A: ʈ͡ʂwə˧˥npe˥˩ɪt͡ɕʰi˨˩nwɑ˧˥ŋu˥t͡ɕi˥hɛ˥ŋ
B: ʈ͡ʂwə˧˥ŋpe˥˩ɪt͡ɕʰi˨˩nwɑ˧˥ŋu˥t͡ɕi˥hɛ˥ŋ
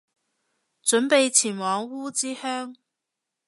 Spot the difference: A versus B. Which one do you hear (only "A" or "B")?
A